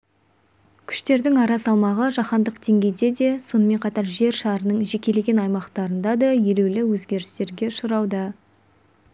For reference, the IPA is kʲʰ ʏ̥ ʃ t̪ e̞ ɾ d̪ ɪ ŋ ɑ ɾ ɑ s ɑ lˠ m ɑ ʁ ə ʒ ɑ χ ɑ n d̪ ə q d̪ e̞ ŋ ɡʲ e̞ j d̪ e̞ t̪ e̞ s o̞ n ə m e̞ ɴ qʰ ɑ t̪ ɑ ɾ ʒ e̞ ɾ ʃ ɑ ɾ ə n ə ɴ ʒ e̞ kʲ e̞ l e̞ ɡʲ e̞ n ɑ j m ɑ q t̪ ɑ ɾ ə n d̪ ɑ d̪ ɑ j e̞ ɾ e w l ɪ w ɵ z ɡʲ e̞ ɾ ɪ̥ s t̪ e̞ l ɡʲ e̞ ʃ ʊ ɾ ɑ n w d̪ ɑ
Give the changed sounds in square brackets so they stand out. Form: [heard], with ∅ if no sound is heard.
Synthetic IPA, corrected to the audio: kʲʰ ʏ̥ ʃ t̪ e̞ ɾ d̪ ɪ ŋ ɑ ɾ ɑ s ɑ lˠ m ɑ ʁ ə ʒ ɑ χ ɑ n d̪ ə q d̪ e̞ ŋ ɡʲ e̞ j d̪ e̞ [d̪] e̞ s o̞ n ə m e̞ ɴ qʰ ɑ t̪ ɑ ɾ ʒ e̞ ɾ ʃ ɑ ɾ ə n ə ɴ ʒ e̞ kʲ e̞ l e̞ ɡʲ e̞ n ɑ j m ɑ q t̪ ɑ ɾ ə n d̪ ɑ d̪ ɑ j e̞ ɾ e w l ɪ w ɵ z ɡʲ e̞ ɾ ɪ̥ s t̪ e̞ [ɾ] ɡʲ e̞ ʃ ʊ ɾ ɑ [∅] w d̪ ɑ

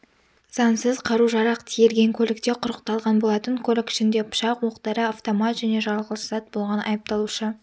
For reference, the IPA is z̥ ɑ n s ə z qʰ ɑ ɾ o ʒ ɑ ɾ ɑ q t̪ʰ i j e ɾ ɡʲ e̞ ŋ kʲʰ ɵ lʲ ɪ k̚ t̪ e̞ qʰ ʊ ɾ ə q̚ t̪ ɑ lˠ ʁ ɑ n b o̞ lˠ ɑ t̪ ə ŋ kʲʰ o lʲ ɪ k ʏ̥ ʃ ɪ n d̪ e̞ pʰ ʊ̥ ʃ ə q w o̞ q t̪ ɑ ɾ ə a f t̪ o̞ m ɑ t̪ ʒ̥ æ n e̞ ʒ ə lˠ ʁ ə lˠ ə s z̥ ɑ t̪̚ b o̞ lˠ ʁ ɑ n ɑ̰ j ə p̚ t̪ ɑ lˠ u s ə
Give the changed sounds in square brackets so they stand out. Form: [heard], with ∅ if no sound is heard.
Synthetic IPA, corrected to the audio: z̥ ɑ n s ə z qʰ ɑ ɾ [u] ʒ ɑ ɾ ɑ q t̪ʰ i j e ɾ ɡʲ e̞ ŋ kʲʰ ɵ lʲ ɪ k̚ t̪ e̞ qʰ ʊ ɾ ə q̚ t̪ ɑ lˠ ʁ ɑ n b o̞ lˠ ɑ t̪ ə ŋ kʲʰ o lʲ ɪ k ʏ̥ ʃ ɪ n d̪ e̞ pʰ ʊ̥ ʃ [ɑ] q w o̞ q t̪ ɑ ɾ ə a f t̪ o̞ m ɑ t̪ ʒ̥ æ n e̞ ʒ [ɑ] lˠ ʁ ə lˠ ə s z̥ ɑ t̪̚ b o̞ lˠ ʁ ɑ n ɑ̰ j ə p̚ t̪ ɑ lˠ u [ʃ] ə

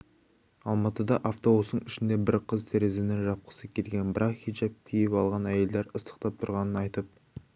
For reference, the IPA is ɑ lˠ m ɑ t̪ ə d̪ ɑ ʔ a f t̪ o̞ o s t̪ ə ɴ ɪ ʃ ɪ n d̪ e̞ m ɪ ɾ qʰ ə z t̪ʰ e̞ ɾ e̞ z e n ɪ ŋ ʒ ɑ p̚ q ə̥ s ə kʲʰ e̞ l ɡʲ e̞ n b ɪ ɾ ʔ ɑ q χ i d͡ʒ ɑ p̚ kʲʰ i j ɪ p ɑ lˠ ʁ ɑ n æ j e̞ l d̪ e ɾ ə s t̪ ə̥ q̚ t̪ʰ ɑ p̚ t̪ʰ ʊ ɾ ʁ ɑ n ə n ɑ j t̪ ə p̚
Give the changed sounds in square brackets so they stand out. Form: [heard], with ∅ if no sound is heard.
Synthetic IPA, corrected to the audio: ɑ lˠ m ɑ t̪ ə d̪ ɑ ʔ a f t̪ o̞ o s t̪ ə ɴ ɪ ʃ ɪ n d̪ e̞ [b] ɪ ɾ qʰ ə z t̪ʰ e̞ ɾ e̞ z e n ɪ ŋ ʒ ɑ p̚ q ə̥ s ə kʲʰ e̞ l ɡʲ e̞ n b ɪ ɾ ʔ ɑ q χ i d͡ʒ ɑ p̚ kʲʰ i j ɪ p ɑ lˠ ʁ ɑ n æ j e̞ l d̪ e ɾ ə s t̪ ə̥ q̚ [t̪] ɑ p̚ t̪ʰ ʊ ɾ ʁ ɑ n ə n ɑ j t̪ ə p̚

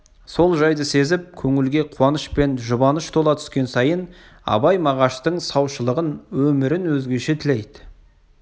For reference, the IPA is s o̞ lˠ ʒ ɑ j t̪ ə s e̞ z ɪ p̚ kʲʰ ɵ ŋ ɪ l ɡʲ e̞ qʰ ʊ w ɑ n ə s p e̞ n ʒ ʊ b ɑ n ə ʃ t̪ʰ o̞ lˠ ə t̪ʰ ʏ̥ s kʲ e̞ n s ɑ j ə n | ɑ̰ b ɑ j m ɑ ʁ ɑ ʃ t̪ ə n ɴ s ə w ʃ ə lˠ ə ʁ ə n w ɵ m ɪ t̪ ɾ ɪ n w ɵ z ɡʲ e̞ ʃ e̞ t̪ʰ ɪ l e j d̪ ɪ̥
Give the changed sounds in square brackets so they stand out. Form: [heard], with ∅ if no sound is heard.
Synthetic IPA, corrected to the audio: s o̞ lˠ ʒ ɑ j [d̪] ə s e̞ z ɪ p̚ kʲʰ ɵ ŋ ɪ l ɡʲ e̞ qʰ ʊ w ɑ n ə [ʃ] p e̞ n ʒ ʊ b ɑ n ə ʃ t̪ʰ o̞ lˠ [ɑ] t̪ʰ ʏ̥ s kʲ e̞ n s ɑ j ə n | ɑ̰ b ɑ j m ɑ ʁ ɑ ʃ t̪ ə [∅] ɴ s [ɑ] w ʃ ə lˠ ə ʁ ə n w ɵ m ɪ [∅] ɾ ɪ n w ɵ z ɡʲ e̞ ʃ e̞ t̪ʰ ɪ l e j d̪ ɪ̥

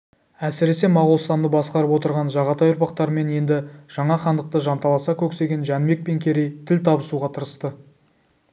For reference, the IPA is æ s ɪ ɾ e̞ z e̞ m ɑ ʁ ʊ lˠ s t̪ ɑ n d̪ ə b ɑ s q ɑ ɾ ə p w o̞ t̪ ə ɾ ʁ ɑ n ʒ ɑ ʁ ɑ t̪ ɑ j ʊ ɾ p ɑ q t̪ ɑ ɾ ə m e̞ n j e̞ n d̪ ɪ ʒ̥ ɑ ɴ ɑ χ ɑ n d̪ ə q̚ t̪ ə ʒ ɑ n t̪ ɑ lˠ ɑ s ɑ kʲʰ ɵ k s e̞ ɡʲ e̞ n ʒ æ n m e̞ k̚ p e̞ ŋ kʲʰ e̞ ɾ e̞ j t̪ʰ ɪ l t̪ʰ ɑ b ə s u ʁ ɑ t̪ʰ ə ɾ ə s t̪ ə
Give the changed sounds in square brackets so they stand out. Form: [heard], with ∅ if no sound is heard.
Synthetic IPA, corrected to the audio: æ s ɪ ɾ e̞ [s] e̞ m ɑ ʁ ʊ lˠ s t̪ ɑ n d̪ ə b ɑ s q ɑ ɾ ə p w o̞ t̪ ə ɾ ʁ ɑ n ʒ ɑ ʁ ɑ t̪ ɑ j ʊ ɾ p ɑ q t̪ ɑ ɾ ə m e̞ n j e̞ n d̪ ɪ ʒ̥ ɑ ɴ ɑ χ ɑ n d̪ ə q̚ t̪ ə ʒ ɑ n t̪ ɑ lˠ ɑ s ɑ kʲʰ ɵ k s e̞ ɡʲ e̞ n ʒ æ n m e̞ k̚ p e̞ ŋ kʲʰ e̞ ɾ e̞ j t̪ʰ ɪ l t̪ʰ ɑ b ə s u ʁ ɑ t̪ʰ ə ɾ ə s t̪ ə

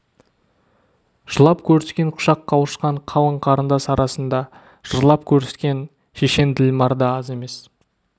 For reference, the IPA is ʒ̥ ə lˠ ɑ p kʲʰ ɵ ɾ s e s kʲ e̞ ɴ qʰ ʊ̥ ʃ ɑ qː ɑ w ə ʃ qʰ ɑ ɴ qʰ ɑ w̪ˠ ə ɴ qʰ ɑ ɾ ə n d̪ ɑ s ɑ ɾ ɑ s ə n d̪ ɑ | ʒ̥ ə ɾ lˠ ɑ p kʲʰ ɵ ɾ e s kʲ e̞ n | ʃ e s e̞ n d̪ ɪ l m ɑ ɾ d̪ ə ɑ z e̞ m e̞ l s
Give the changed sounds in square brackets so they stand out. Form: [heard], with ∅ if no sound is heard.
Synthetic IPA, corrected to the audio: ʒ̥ ə lˠ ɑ p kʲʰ ɵ ɾ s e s kʲ e̞ ɴ qʰ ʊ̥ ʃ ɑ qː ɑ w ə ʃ [q] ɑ ɴ qʰ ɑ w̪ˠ ə ɴ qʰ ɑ ɾ ə n d̪ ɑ s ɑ ɾ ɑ s ə n d̪ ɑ | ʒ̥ ə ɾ lˠ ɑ p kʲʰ ɵ ɾ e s kʲ e̞ n | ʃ e [ʃ] e̞ n d̪ ɪ l m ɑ ɾ d̪ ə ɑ z e̞ m e̞ [∅] s

